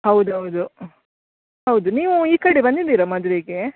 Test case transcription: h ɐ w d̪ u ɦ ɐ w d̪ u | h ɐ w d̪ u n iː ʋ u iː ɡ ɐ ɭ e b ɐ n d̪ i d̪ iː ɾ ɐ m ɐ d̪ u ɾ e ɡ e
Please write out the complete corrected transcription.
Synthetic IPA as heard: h ɐ w d̪ u ɦ ɐ w d̪ u | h ɐ w d̪ u n iː ʋ u iː k ɐ ɽ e b ɐ n d̪ i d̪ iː ɾ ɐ m ɐ d̪ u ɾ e ɡ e